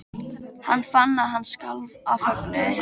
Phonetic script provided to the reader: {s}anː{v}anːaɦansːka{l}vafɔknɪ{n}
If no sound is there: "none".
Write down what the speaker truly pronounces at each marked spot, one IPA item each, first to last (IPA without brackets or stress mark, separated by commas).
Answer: h, f, l, none